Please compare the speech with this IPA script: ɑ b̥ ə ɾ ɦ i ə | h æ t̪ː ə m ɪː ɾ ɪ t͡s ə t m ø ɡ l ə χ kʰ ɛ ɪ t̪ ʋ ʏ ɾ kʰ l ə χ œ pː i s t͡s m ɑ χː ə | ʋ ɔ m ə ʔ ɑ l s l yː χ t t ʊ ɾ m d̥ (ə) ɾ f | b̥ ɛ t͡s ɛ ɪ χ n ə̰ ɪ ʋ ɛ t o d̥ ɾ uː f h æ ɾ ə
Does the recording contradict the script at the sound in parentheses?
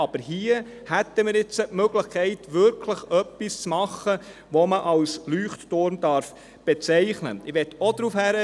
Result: yes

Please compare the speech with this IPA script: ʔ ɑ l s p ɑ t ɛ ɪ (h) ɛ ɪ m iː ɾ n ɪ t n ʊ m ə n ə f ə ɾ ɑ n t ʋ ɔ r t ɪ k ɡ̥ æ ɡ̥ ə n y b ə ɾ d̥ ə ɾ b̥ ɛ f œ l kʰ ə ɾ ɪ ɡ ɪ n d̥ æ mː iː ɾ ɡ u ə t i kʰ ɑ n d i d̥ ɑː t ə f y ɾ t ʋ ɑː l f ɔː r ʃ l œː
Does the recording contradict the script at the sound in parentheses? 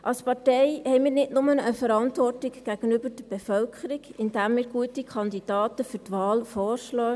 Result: no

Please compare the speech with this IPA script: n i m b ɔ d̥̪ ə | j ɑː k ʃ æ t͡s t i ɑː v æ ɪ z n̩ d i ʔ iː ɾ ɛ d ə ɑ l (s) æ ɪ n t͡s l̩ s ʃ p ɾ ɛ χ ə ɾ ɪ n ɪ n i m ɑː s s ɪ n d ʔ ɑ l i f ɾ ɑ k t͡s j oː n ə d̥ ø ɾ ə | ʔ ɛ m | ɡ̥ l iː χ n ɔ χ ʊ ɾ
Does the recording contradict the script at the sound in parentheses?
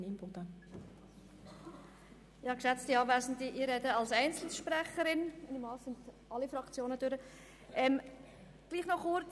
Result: no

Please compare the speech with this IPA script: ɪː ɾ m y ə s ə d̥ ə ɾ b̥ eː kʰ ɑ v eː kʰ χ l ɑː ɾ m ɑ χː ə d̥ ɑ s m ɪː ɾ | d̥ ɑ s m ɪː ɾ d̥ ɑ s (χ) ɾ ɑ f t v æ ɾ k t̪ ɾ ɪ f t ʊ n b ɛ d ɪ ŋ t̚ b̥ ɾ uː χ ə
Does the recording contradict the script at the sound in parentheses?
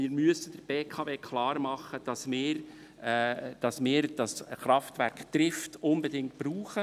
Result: no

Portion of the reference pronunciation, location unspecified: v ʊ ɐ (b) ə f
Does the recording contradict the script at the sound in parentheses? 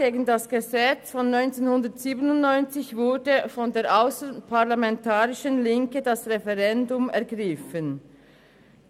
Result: yes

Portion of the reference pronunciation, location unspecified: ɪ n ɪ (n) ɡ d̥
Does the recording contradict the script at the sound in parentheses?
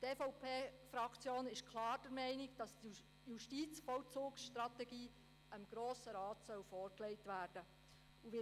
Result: yes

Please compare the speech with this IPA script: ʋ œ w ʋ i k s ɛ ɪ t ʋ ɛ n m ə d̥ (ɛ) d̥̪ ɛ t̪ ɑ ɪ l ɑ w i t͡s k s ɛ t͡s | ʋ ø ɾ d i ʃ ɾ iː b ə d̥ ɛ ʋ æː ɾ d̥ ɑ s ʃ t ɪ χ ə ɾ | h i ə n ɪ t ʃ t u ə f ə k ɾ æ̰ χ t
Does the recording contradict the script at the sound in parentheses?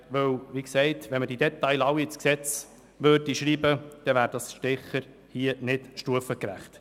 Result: yes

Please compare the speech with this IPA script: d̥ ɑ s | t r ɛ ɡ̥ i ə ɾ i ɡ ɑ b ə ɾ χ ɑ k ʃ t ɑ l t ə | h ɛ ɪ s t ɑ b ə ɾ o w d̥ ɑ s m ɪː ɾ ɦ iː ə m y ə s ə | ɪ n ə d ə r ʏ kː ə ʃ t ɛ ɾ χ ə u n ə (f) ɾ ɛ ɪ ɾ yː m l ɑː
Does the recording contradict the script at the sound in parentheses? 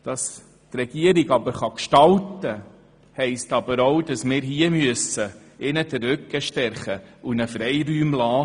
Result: no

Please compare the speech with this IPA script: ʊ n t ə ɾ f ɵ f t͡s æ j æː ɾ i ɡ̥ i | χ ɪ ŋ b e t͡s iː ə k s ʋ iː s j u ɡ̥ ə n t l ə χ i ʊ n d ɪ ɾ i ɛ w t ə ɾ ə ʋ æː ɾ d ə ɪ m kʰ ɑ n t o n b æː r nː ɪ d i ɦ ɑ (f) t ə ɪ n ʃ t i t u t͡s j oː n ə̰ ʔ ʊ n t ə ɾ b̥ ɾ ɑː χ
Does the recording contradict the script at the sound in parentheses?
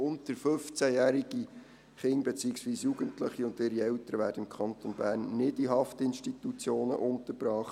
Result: no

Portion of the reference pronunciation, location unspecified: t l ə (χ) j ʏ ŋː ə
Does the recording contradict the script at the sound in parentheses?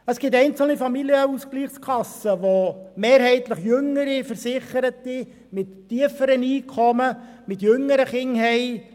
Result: no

